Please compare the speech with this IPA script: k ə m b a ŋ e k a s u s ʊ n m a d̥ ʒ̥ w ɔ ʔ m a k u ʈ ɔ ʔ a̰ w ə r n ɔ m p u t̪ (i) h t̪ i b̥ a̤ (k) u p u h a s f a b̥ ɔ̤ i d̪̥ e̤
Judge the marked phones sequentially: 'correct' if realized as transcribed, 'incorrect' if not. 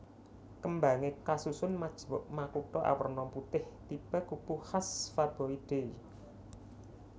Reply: incorrect: ɪ, correct

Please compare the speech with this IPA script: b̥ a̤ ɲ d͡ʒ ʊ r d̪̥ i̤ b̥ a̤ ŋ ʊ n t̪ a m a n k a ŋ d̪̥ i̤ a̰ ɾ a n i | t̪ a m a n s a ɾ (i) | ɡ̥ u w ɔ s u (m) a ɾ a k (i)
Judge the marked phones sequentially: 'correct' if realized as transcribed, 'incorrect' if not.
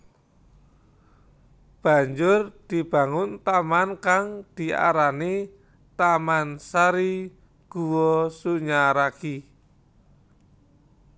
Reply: correct, incorrect: ɲ, correct

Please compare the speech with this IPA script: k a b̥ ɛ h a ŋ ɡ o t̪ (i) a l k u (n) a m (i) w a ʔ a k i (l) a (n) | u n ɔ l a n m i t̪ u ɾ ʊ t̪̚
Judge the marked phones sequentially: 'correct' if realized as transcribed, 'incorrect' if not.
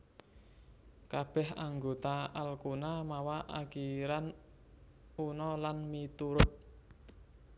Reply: incorrect: a, correct, incorrect: a, incorrect: ɾ, correct

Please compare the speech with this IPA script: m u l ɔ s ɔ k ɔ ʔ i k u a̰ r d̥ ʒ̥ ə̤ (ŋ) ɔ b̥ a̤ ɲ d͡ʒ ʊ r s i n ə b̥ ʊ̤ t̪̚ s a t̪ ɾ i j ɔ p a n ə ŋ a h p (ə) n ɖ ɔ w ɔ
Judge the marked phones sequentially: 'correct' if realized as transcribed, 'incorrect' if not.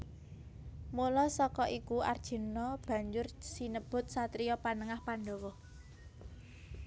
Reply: incorrect: n, incorrect: a

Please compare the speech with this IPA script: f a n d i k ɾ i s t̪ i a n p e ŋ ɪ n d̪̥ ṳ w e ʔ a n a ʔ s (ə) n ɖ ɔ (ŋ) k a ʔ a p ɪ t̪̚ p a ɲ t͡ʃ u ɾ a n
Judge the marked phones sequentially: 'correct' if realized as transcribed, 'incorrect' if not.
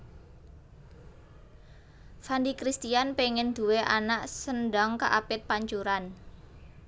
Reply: correct, correct

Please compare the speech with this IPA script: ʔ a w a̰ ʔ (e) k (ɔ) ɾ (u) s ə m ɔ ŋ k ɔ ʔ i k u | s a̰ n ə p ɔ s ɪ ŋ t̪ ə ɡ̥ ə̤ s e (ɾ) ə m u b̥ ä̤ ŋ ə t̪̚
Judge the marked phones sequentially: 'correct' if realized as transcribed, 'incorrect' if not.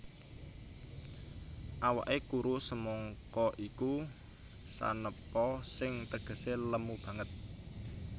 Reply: correct, incorrect: u, correct, incorrect: l

